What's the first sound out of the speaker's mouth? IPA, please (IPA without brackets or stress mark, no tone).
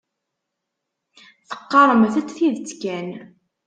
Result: θ